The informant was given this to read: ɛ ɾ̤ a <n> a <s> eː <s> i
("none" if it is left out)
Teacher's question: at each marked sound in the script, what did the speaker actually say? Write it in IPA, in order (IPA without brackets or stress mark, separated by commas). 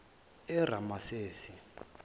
m, s, s